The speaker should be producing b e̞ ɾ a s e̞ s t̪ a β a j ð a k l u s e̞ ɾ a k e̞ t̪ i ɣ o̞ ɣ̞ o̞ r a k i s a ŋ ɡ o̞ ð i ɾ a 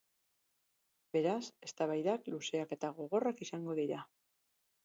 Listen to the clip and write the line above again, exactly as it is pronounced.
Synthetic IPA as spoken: b e̞ ɾ a s e̞ s t̪ a β a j ð a k l u s e̞ a k e̞ t̪ a ɣ o̞ ɣ̞ o̞ r a k i s a ŋ ɡ o̞ ð i ɾ a